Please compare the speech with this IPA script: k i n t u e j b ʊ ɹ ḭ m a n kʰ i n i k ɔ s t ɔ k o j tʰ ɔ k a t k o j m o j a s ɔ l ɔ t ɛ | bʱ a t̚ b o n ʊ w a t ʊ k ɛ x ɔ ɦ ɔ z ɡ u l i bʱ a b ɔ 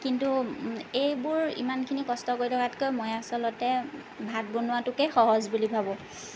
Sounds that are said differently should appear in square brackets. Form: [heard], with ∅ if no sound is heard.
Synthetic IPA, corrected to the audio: k i n t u e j b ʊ ɹ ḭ m a n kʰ i n i k ɔ s t ɔ k o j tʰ ɔ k a t k o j m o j a s ɔ l ɔ t ɛ | bʱ a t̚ b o n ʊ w a t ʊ k ɛ x ɔ ɦ ɔ z [b] u l i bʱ a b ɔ

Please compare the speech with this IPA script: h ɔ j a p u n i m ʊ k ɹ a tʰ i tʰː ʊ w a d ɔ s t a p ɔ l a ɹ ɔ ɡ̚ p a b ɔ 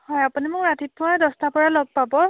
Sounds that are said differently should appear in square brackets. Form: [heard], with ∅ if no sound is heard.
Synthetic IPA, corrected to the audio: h ɔ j a p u n i m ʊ k ɹ a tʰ i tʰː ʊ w a d ɔ s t a p ɔ [ɹ] a [l] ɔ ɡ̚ p a b ɔ

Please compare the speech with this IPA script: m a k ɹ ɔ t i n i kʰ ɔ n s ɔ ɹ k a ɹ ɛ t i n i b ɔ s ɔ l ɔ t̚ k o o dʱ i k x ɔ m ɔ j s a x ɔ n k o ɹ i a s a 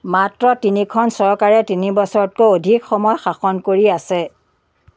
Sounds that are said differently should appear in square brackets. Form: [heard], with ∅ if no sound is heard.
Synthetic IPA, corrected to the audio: m a [t] ɹ ɔ t i n i kʰ ɔ n s ɔ ɹ k a ɹ ɛ t i n i b ɔ s ɔ [ɹ] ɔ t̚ k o o dʱ i k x ɔ m ɔ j [x] a x ɔ n k o ɹ i a s [ɛ]

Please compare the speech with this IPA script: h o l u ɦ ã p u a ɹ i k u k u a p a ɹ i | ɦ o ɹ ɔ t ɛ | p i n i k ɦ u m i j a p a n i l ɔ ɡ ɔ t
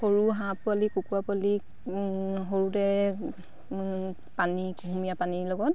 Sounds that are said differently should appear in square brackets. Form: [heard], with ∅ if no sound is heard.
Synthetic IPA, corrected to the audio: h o [ɹ] u ɦ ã p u a [l] i k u k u a p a [l] i | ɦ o ɹ [u] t ɛ | p [a] n i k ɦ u m i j a p a n i l ɔ ɡ ɔ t

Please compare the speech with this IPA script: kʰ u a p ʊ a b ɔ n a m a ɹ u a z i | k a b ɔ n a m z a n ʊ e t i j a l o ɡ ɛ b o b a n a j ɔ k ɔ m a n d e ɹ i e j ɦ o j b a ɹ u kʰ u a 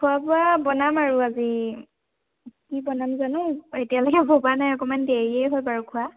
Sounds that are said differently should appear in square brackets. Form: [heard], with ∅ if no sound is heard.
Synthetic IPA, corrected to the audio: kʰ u a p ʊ a b ɔ n a m a ɹ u a z i | k [i] b ɔ n a m z a n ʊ e t i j a l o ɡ ɛ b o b a n a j ɔ k ɔ m a n d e ɹ i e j ɦ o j b a ɹ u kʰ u a

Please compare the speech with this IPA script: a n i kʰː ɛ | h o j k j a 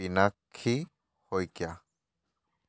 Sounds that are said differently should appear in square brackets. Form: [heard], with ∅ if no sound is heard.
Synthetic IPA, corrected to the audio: [i] n [a] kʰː [i] | h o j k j a

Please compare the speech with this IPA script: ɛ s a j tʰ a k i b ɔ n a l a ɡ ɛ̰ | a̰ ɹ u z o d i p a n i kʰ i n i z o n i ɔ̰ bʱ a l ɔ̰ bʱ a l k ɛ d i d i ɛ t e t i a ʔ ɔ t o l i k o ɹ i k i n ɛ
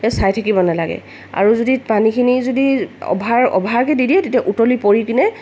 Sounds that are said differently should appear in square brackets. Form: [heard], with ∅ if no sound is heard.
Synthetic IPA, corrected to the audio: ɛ s a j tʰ a k i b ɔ n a l a ɡ ɛ̰ | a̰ ɹ u z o d i p a n i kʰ i n i z o [d] i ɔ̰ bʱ a [ɹ] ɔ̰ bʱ a [ɹ] k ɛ d i d i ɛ t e t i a ʔ [u] t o l i [p] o ɹ i k i n ɛ

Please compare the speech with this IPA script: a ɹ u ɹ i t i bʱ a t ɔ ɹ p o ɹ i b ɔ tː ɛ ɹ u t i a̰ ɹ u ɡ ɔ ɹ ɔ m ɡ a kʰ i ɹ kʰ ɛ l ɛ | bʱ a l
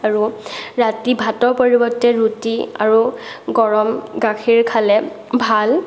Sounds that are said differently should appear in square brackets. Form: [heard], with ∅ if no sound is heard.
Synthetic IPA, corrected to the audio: a ɹ u ɹ [a] t i bʱ a t ɔ ɹ p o ɹ i b ɔ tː ɛ ɹ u t i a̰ ɹ u ɡ ɔ ɹ ɔ m ɡ a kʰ i ɹ kʰ [a] l ɛ | bʱ a l

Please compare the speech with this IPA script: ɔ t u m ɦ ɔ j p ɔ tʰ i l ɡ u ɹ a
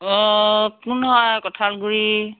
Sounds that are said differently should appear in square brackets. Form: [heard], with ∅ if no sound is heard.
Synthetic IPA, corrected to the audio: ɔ [k] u [n] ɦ ɔ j [k] ɔ tʰ [a] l ɡ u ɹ [i]

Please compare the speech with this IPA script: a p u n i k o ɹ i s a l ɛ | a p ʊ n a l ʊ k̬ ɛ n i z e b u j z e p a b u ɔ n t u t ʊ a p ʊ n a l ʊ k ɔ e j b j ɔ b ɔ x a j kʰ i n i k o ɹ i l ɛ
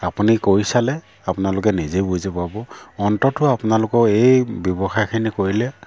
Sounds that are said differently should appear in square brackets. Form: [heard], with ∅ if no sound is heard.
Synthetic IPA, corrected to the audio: a p u n i k o ɹ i s a l ɛ | a p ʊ n a l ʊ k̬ ɛ n i z e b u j z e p a b [ɔ] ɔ n t [ɔ] t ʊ a p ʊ n a l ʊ k ɔ e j b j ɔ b ɔ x a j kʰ i n i k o ɹ i l ɛ

